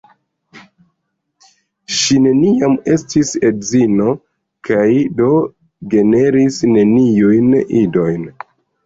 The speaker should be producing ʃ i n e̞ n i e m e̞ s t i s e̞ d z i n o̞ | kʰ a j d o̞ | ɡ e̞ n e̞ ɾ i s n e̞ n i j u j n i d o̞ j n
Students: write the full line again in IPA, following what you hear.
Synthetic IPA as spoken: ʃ i n e̞ n i a m e̞ s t i s e̞ d z i n o̞ | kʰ a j d o̞ | ɡ e̞ n e̞ ɾ i s n e̞ n i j u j n i d o̞ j n